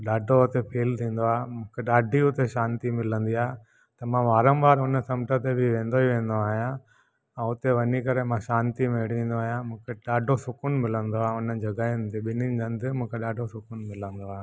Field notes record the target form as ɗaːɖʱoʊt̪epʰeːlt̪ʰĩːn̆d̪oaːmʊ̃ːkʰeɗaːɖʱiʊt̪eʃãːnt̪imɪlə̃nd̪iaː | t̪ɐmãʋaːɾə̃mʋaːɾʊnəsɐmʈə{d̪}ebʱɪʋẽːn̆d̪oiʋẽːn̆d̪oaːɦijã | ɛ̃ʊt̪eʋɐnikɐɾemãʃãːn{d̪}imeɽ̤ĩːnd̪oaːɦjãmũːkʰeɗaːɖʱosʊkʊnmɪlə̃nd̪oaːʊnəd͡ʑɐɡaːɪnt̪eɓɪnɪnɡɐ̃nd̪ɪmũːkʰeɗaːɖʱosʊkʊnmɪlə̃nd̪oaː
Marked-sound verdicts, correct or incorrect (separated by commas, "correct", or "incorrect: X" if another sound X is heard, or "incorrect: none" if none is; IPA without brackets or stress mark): incorrect: t̪, incorrect: t̪